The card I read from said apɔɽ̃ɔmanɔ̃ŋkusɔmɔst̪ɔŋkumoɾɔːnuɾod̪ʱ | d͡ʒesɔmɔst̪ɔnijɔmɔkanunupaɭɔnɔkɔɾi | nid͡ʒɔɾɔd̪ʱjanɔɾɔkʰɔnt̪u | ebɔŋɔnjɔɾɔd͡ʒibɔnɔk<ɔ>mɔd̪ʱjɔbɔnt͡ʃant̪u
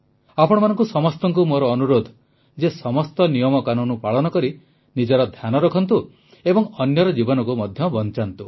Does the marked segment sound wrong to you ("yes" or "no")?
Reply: yes